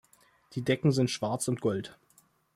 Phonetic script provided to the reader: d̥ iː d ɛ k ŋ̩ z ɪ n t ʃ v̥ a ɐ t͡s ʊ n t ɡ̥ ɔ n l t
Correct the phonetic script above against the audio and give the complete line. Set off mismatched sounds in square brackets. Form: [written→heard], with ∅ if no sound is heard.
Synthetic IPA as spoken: d̥ iː d ɛ k ŋ̩ z ɪ n t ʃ v̥ a ɐ t͡s ʊ n t ɡ̥ ɔ [n→∅] l t